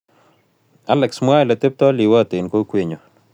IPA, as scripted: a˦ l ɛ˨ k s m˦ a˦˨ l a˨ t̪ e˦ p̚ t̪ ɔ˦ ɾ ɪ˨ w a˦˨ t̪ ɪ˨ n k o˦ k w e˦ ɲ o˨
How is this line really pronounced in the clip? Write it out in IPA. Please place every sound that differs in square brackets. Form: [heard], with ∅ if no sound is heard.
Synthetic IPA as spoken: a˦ l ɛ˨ k s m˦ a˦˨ l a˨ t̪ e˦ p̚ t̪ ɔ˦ [l] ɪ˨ w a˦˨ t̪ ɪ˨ n k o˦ k w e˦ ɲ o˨